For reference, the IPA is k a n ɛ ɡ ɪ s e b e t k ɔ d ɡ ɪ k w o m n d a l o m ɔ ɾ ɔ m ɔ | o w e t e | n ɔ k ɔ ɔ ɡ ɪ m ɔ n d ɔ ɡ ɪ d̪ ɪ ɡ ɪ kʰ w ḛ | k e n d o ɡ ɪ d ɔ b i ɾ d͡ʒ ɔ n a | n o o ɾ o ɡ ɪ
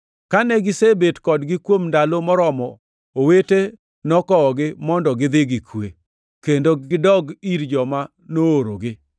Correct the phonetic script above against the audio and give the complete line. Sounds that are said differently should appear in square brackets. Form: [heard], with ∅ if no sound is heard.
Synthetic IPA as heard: k a n ɛ ɡ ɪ s e b e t k ɔ d ɡ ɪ k w o m n d a l o m ɔ ɾ ɔ m ɔ | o w e t e | n ɔ k ɔ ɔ ɡ ɪ m ɔ n d ɔ ɡ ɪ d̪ ɪ ɡ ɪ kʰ w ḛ | k e n d o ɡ ɪ d ɔ [ɡ] i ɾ d͡ʒ ɔ [m] a | n o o ɾ o ɡ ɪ

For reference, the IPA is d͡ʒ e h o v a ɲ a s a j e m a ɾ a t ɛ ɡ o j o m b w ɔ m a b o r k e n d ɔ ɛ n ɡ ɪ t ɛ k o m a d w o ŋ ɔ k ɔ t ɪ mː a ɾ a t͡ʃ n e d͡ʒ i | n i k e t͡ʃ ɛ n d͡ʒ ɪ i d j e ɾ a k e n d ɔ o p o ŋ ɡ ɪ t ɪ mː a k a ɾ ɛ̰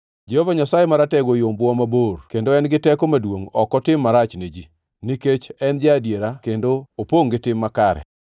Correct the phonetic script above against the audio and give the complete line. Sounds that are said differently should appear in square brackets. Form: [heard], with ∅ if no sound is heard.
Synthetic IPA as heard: d͡ʒ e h o v a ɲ a s a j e m a ɾ a t ɛ ɡ o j o m b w ɔ m a b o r k e n d [o] ɛ n ɡ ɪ t ɛ k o m a d w o ŋ ɔ k ɔ t ɪ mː a ɾ a t͡ʃ n e d͡ʒ i | n i k e t͡ʃ ɛ n d͡ʒ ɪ [a] d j e ɾ a k e n d [o] o p o ŋ ɡ ɪ t ɪ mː a k a ɾ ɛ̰

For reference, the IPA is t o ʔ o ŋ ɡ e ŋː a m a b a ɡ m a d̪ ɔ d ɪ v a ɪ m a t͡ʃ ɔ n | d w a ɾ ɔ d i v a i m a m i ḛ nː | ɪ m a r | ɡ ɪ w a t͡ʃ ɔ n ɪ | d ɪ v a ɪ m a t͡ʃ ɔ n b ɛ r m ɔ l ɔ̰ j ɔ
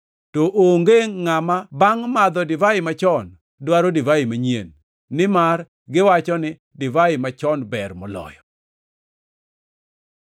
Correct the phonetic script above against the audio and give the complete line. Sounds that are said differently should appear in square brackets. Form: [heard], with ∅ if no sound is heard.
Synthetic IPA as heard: t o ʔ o ŋ ɡ e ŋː a m a b a [ŋ] m a d̪ ɔ d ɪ v a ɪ m a t͡ʃ ɔ n | d w a ɾ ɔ d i v a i m a [ɲ] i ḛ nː | ɪ m a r | ɡ ɪ w a t͡ʃ ɔ n ɪ | d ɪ v a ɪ m a t͡ʃ ɔ n b ɛ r m ɔ l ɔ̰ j ɔ

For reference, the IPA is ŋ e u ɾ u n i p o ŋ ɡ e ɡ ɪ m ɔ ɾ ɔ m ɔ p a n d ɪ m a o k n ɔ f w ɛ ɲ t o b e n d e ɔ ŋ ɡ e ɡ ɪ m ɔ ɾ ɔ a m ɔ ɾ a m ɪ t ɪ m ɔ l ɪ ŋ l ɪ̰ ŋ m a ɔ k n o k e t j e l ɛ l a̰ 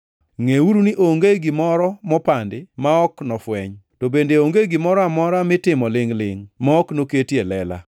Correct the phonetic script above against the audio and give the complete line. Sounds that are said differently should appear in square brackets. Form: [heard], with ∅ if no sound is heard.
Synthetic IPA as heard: ŋ e u ɾ u n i [ʔ] o ŋ ɡ e ɡ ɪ m ɔ ɾ ɔ m ɔ p a n d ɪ m a [ɔ] k n ɔ f w ɛ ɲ t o b e n d e [o] ŋ ɡ e ɡ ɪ m ɔ ɾ ɔ a m ɔ ɾ a m ɪ t ɪ m ɔ l ɪ ŋ l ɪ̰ ŋ m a ɔ k n o k e t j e l ɛ l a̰

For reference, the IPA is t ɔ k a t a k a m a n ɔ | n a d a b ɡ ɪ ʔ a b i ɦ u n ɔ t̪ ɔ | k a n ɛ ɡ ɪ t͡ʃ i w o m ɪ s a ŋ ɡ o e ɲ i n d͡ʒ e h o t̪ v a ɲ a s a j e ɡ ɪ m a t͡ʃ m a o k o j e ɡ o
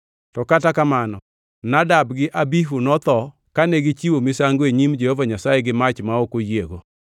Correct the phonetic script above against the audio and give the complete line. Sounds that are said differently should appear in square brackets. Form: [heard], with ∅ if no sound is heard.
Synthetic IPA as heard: t ɔ k a t a k a m a n ɔ | n a d a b ɡ ɪ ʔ a b i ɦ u n ɔ t̪ ɔ | k a n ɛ ɡ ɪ t͡ʃ i w o m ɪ s a ŋ ɡ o e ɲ i [m] d͡ʒ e h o [∅] v a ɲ a s a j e ɡ ɪ m a t͡ʃ m a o k o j e ɡ o

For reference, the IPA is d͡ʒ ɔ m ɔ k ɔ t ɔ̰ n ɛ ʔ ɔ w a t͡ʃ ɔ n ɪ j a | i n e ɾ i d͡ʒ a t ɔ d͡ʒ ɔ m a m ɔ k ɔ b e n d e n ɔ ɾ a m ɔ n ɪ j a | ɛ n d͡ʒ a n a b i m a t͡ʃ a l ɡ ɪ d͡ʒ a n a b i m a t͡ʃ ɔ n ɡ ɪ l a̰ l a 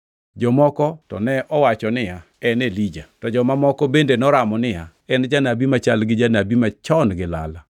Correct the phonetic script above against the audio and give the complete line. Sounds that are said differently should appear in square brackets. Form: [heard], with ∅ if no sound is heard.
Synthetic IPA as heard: d͡ʒ ɔ m ɔ k ɔ t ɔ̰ n ɛ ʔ ɔ w a t͡ʃ ɔ n ɪ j a | [ɛ] n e [l] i d͡ʒ a t ɔ d͡ʒ ɔ m a m ɔ k ɔ b e n d e n ɔ ɾ a m ɔ n ɪ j a | ɛ n d͡ʒ a n a b i m a t͡ʃ a l ɡ ɪ d͡ʒ a n a b i m a t͡ʃ ɔ n ɡ ɪ l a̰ l a

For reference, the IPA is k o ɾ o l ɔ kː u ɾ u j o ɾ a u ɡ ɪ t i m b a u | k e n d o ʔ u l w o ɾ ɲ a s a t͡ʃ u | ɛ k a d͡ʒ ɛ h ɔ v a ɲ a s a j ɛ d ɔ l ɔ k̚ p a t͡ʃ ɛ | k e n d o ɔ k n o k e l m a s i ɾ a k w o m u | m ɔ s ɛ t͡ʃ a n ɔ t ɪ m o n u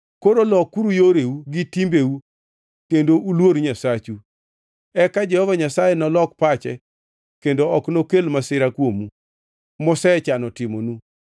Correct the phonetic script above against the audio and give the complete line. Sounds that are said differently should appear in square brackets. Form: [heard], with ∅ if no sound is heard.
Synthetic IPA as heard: k o ɾ o l ɔ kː u ɾ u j o ɾ [e] u ɡ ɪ t i m b [e] u | k e n d o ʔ u l w o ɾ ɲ a s a t͡ʃ u | ɛ k a d͡ʒ ɛ h ɔ v a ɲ a s a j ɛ [n] ɔ l ɔ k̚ p a t͡ʃ ɛ | k e n d o ɔ k n o k e l m a s [ɪ] ɾ a k w o m u | m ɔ s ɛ t͡ʃ a n ɔ t ɪ m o n u

